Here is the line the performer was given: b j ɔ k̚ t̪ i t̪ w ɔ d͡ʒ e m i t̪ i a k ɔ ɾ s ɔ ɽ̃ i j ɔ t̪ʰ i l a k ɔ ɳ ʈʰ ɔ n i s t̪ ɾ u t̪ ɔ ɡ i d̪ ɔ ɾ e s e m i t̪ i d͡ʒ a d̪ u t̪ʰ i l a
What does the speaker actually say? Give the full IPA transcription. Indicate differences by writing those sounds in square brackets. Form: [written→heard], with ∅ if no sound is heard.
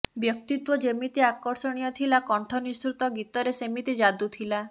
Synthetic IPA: b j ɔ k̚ t̪ i t̪ w ɔ d͡ʒ e m i t̪ i a k ɔ ɾ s ɔ ɽ̃ i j ɔ t̪ʰ i l a k ɔ ɳ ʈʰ ɔ n i s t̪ ɾ u t̪ ɔ ɡ i [d̪→t̪] ɔ ɾ e s e m i t̪ i d͡ʒ a d̪ u t̪ʰ i l a